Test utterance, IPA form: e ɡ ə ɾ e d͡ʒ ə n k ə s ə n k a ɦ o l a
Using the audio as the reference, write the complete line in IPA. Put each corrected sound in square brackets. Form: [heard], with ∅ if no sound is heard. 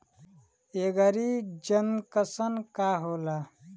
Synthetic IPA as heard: e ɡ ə ɾ [i] d͡ʒ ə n k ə s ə n k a ɦ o l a